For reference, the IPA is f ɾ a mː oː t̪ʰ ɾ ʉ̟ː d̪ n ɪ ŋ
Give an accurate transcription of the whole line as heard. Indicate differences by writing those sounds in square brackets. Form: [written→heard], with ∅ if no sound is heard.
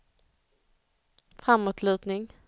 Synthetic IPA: f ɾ a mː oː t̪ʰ [ɾ→l] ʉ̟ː [d̪→t̪] n ɪ ŋ